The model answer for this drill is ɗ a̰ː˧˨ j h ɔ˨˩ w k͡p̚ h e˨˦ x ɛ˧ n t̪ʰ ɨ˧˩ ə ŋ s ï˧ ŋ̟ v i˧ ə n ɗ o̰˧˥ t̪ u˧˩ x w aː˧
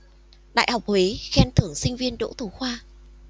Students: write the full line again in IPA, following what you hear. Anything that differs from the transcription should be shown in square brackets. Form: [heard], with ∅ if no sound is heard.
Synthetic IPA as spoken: ɗ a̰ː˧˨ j h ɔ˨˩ w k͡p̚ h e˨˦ x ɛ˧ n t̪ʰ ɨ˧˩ ə ŋ s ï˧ ŋ̟ v i˧ ə n ɗ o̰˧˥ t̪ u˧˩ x w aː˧